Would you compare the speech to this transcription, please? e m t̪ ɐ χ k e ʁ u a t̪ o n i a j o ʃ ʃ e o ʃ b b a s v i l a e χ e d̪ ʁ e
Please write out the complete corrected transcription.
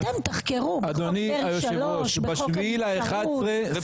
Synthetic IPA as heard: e m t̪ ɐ χ k e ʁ u a d̪ o n i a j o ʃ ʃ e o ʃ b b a ʃ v i l a e χ a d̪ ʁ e